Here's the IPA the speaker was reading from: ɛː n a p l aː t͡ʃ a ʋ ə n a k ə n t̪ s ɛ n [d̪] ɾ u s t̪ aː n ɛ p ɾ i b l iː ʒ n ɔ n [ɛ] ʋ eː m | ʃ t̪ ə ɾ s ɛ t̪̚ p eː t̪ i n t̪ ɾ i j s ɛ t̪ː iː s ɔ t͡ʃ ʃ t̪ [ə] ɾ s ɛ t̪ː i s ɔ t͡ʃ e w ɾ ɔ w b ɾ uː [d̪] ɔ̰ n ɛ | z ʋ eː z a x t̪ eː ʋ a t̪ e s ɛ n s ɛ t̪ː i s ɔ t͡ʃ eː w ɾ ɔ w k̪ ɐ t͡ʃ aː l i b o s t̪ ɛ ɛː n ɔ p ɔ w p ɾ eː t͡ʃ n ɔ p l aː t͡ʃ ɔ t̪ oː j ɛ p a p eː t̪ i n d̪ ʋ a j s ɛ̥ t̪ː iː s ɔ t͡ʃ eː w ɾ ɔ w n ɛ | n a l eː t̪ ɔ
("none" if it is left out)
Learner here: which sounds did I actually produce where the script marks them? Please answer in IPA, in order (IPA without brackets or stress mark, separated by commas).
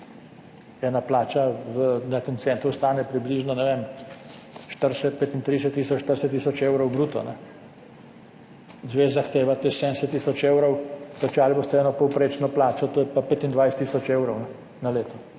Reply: t̪, ɛ, ə, t̪